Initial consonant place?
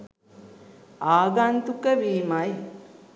velar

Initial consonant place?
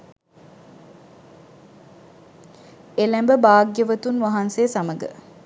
alveolar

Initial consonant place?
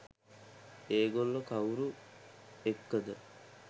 velar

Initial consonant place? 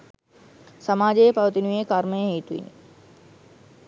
alveolar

